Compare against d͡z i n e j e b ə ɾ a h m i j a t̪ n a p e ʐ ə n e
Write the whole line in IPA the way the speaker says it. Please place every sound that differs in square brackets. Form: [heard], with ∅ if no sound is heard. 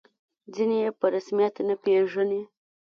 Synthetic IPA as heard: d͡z i n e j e [p] ə ɾ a [s] m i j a t̪ n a p e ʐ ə n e